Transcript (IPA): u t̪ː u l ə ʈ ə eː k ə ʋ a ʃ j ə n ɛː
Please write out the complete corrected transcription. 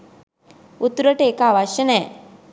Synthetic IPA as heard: u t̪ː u ɾ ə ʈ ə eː k a ʋ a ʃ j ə n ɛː